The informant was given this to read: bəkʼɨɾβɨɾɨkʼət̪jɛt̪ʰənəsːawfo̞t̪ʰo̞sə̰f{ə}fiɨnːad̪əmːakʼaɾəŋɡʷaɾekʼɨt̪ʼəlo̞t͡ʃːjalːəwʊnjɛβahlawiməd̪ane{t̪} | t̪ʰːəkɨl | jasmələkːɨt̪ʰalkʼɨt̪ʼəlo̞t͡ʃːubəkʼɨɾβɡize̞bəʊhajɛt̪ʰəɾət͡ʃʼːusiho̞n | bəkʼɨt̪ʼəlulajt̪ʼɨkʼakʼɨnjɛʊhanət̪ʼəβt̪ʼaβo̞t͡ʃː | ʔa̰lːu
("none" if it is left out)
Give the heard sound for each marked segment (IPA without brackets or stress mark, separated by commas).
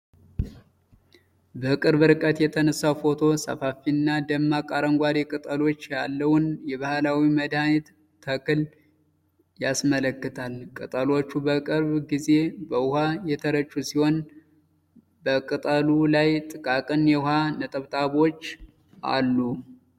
a, t̪